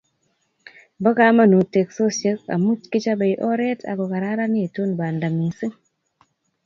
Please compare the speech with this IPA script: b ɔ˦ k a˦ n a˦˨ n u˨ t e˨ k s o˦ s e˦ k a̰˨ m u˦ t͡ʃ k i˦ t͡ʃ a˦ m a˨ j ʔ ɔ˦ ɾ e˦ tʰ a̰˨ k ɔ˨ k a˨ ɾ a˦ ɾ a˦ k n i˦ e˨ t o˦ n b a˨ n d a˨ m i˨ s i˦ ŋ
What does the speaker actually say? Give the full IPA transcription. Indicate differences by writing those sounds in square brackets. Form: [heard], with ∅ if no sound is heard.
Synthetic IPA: b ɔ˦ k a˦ [m] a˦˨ n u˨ t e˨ k s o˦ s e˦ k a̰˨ m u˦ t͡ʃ k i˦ t͡ʃ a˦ [b] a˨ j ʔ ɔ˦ ɾ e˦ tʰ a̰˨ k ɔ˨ k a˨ ɾ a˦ ɾ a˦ [∅] n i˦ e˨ t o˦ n b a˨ n d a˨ m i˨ s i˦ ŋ